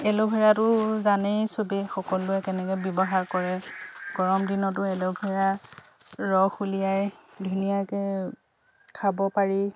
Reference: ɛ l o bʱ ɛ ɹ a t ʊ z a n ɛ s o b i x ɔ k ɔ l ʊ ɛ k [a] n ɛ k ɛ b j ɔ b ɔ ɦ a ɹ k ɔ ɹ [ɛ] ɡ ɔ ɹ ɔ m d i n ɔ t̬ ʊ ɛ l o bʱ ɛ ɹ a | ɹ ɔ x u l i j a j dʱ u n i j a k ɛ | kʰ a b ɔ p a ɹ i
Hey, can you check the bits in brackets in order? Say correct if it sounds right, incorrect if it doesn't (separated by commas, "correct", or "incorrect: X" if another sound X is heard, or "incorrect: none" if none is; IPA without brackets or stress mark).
incorrect: ɛ, correct